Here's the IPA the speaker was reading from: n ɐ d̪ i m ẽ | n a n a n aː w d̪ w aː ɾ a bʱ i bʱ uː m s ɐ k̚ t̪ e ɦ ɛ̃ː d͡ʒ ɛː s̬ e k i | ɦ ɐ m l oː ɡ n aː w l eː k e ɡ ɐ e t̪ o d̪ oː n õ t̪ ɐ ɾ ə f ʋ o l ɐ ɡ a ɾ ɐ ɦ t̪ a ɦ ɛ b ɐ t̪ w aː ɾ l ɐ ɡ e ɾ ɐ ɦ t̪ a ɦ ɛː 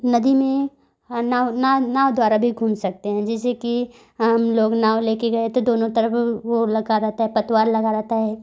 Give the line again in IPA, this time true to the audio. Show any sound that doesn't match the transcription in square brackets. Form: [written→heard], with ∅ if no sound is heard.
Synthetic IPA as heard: n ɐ d̪ i m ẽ | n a n a n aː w d̪ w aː ɾ a bʱ i [bʱ→ɡʱ] uː m s ɐ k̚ t̪ e ɦ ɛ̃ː d͡ʒ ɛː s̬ e k i | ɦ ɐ m l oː ɡ n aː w l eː k e ɡ ɐ e t̪ o d̪ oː n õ t̪ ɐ ɾ ə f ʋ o l ɐ ɡ a ɾ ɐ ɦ t̪ a ɦ ɛ [b→p] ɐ t̪ w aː ɾ l ɐ ɡ [e→a] ɾ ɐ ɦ t̪ a ɦ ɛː